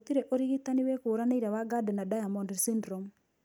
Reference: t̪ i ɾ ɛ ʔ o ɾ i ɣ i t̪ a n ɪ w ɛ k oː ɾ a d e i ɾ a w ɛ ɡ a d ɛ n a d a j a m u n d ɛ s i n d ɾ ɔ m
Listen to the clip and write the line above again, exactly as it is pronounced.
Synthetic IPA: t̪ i ɾ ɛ ʔ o ɾ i ɣ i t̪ a n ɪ w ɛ k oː ɾ a n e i ɾ a w a ɡ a d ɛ n a d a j a m ɔ n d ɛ s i n d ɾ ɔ m